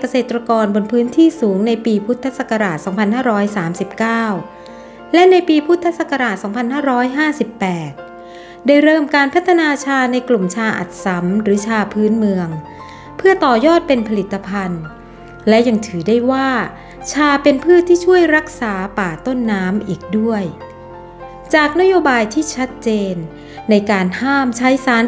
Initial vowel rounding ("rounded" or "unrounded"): unrounded